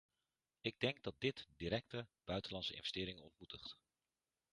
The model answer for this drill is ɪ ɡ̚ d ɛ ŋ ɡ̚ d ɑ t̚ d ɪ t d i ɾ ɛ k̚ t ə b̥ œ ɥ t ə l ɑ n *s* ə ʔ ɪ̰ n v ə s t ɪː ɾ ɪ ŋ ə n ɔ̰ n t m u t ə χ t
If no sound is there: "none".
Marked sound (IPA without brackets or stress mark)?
s